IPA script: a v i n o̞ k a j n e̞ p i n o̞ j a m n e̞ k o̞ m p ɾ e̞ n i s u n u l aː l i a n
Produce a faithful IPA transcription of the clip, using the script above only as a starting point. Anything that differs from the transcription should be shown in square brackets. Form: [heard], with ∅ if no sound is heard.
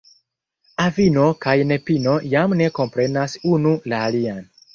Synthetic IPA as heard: a v i n o̞ k a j n e̞ p i n o̞ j a m n e̞ k o̞ m p ɾ e̞ n [a] s u n u l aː l i a n

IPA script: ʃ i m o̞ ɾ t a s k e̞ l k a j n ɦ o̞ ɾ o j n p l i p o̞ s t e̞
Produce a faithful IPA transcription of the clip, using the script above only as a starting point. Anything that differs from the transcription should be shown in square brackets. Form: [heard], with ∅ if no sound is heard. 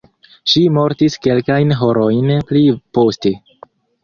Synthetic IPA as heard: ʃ i m o̞ ɾ t [i] s k e̞ l k a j n ɦ o̞ ɾ o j n p l i p o̞ s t e̞

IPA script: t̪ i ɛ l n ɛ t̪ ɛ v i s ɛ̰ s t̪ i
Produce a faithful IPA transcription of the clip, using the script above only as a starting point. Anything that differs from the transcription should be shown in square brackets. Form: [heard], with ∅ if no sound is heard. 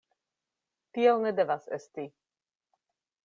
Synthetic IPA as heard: t̪ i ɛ l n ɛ [d̪] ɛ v [a] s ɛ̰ s t̪ i

